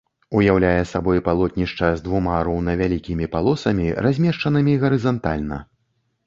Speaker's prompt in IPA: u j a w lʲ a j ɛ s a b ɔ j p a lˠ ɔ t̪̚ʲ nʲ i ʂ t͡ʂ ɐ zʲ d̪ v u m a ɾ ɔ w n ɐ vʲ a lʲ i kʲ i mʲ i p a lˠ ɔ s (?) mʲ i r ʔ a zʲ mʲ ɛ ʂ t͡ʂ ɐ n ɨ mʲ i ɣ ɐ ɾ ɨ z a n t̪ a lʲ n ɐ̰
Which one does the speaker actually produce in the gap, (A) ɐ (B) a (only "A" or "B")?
A